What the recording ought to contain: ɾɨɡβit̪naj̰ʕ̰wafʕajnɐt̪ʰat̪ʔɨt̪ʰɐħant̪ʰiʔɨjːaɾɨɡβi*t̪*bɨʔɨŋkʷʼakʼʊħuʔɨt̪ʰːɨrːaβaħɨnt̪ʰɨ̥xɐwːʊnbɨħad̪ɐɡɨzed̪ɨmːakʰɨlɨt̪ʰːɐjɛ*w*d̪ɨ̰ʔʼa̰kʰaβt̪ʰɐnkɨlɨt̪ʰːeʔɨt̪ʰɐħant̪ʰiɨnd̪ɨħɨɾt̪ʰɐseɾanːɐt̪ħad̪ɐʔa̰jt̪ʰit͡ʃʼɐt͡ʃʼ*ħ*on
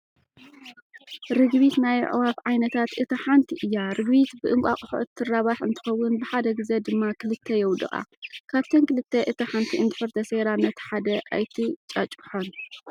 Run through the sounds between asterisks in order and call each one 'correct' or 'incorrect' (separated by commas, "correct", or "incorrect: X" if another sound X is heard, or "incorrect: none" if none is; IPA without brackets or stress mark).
correct, correct, correct